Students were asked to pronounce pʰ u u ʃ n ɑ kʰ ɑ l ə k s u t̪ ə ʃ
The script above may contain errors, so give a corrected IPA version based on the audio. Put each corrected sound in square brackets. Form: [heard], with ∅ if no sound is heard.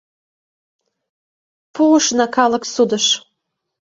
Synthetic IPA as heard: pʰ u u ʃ n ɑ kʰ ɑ l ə k s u [d̪] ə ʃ